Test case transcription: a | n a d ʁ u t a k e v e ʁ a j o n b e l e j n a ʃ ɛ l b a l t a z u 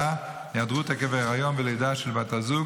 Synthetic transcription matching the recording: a | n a d ʁ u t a k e v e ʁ a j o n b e l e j d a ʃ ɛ l b a t a z u